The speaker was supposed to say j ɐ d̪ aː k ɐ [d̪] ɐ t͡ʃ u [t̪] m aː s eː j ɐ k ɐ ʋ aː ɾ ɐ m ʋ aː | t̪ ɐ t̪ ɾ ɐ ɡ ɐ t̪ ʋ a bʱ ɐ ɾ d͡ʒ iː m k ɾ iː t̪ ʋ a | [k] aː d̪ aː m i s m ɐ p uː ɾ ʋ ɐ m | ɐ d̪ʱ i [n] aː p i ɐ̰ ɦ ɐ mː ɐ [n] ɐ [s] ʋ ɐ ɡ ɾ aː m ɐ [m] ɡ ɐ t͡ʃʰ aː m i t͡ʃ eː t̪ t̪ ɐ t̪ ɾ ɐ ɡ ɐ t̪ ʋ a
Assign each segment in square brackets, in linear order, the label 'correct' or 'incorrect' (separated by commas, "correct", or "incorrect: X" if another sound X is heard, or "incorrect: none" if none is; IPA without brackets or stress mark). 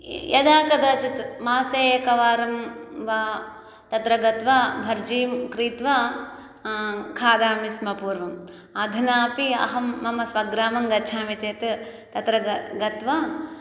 correct, correct, incorrect: kʰ, correct, incorrect: m, correct, incorrect: ŋ